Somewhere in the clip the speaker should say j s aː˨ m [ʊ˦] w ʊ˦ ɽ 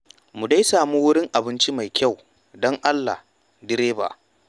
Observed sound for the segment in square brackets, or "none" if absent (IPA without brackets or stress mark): u˦